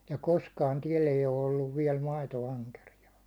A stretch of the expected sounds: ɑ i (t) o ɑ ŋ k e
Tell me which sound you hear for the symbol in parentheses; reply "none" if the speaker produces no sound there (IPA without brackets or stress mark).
t